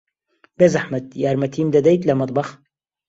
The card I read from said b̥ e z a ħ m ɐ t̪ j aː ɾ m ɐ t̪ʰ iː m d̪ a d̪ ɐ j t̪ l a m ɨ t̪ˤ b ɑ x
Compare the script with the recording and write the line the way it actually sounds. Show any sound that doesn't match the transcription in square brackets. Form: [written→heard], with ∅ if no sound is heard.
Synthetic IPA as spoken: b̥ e z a ħ m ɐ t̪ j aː ɾ m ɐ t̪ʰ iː m d̪ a d̪ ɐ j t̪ l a m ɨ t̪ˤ b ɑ x